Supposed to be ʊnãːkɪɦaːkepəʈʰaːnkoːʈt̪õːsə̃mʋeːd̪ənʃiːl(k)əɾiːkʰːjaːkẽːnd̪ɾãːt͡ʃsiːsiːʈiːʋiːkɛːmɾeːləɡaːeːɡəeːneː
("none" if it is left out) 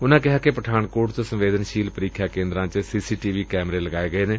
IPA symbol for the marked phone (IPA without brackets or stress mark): p